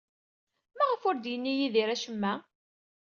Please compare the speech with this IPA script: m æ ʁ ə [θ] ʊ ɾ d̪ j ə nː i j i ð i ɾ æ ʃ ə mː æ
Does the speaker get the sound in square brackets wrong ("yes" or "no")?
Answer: yes